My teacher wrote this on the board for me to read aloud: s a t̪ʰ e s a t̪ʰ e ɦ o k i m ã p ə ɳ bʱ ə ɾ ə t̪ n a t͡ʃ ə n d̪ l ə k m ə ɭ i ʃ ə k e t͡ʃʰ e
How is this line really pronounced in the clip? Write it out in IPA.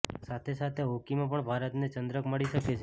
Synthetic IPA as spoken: s a t̪ʰ e s a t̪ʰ e ɦ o k i m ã p ə ɳ bʱ a ɾ ə t̪ n e t͡ʃ ə n d̪ ɾ ə k m ə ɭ i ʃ ə k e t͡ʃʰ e